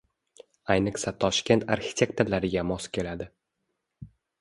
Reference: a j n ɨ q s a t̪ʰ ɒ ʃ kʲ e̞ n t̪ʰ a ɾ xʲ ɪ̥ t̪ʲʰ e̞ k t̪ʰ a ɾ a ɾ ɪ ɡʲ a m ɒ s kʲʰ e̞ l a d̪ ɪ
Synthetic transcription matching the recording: a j n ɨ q s a t̪ʰ ɒ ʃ kʲ e̞ n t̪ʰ a ɾ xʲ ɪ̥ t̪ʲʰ e̞ k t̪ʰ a l a ɾ ɪ ɡʲ a m ɒ s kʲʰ e̞ l a d̪ ɪ

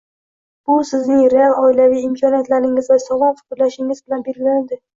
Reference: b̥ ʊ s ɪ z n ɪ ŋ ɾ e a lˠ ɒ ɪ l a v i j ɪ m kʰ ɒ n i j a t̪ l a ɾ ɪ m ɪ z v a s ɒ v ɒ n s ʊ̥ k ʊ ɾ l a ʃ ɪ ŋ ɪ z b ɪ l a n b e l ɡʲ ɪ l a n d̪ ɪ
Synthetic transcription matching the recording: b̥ ʊ s ɪ z n ɪ ŋ ɾ e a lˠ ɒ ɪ l a v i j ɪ m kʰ ɒ n i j a t̪ l a ɾ ɪ ŋ ɪ z v a s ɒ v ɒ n f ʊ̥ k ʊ ɾ l a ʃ ɪ ŋ ɪ z b ɪ l a n b e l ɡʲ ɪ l a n d̪ ɪ

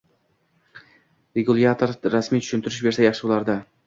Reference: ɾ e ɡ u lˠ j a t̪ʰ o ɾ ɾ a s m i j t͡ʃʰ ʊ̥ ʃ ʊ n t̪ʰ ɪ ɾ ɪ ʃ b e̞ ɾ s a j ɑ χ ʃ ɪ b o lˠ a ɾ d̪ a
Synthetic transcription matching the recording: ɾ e ɡ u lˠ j a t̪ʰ o ɾ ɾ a s m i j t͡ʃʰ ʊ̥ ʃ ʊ n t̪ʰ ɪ ɾ ɪ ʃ b e̞ ɾ s a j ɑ χ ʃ ɪ b o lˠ a ɾ d̪ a

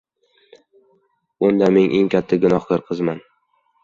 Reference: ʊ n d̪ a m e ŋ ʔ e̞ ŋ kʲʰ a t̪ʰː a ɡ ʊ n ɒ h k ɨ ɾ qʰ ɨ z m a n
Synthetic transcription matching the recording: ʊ n d̪ a m e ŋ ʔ e̞ ŋ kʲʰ a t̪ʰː a ɡ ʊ n ɒ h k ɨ ɾ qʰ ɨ z m a n

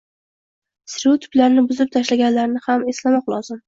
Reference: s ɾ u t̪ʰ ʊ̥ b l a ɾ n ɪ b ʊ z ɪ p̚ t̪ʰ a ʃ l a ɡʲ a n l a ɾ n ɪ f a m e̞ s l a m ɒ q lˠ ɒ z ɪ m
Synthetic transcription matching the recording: s ɾ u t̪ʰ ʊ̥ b l a ɾ n ɪ b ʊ z ɪ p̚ t̪ʰ a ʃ l a ɡʲ a n l a ɾ n ɪ h a m e̞ s l a m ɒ q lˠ ɒ z ɪ m

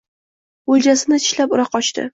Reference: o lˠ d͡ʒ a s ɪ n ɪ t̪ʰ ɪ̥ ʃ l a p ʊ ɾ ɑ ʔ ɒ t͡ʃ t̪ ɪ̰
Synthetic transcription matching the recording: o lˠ d͡ʒ a s ɪ n ɪ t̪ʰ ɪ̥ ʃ l a p ʊ ɾ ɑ q ɒ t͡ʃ t̪ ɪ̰

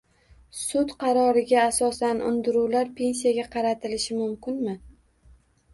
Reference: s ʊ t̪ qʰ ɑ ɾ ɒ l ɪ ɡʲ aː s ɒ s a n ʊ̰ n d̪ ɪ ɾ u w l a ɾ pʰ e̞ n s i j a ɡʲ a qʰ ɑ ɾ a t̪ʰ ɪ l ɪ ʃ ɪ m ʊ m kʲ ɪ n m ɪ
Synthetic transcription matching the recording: s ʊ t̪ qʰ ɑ ɾ ɒ ɾ ɪ ɡʲ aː s ɒ s a n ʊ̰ n d̪ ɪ ɾ u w l a ɾ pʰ e̞ n s i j a ɡʲ a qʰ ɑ ɾ a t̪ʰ ɪ l ɪ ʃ ɪ m ʊ m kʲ ɪ n m ɪ

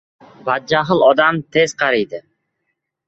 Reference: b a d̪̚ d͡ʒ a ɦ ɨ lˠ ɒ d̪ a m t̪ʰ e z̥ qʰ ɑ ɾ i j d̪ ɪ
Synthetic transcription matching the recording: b a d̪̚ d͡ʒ a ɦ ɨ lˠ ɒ d̪ a m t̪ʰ e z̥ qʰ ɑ ɾ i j d̪ ɪ

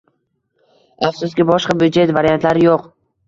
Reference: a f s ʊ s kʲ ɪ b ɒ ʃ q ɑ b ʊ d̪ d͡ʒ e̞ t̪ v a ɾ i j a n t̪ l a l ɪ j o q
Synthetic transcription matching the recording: a f s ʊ s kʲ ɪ b ɒ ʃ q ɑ b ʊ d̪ d͡ʒ e̞ t̪ v a ɾ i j a n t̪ l a ɾ ɪ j o q

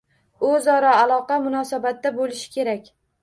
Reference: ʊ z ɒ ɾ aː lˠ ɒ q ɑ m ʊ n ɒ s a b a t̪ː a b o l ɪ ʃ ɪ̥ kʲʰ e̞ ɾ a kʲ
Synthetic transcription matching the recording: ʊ z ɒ ɾ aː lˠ ɒ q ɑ m ʊ n ɒ s a b a t̪ː a b o l ɪ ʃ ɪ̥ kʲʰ e̞ ɾ a kʲ

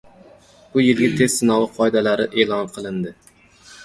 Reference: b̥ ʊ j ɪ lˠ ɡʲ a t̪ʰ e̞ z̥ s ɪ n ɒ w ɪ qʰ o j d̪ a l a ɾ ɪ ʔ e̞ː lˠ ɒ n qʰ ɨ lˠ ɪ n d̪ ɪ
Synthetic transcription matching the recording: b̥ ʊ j ɪ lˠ ɡʲ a t̪ʰ e̞ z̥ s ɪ n ɒ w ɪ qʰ ɒ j d̪ a l a ɾ ɪ ʔ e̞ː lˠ ɒ n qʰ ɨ lˠ ɪ n d̪ ɪ

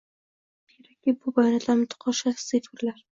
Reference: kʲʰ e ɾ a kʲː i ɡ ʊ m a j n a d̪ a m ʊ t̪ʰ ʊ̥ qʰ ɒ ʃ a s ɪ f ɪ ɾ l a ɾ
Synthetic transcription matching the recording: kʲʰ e ɾ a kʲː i b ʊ b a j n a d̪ a m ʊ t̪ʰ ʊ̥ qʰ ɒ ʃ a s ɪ f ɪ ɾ l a ɾ

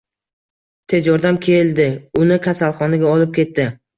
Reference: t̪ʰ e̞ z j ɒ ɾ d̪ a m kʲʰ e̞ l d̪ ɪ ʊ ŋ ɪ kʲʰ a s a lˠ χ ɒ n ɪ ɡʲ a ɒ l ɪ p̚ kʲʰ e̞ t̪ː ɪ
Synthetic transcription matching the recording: t̪ʰ e̞ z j ɒ ɾ d̪ a m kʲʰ e̞ l d̪ ɪ ʊ n ɪ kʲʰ a s a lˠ χ ɒ n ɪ ɡʲ a ɒ l ɪ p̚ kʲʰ e̞ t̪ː ɪ

